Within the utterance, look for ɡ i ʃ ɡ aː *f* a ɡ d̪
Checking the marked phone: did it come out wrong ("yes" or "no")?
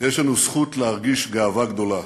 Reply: yes